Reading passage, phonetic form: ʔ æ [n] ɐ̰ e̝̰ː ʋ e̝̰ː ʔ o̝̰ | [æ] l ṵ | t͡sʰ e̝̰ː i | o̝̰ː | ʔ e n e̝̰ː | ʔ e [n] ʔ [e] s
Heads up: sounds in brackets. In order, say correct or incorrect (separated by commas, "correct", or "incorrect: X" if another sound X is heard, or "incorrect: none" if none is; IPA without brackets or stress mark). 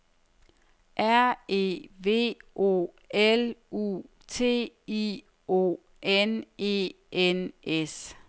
incorrect: none, incorrect: e, correct, correct